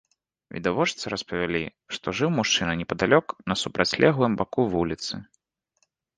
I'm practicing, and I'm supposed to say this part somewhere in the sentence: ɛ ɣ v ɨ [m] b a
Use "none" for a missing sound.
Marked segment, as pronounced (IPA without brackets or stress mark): m